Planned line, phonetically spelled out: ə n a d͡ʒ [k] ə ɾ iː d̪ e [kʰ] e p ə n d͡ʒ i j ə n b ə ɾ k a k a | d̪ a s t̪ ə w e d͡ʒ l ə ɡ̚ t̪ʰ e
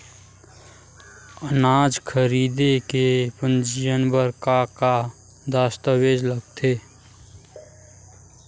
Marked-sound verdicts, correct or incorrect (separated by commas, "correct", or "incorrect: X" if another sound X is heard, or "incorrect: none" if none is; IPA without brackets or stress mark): incorrect: kʰ, incorrect: k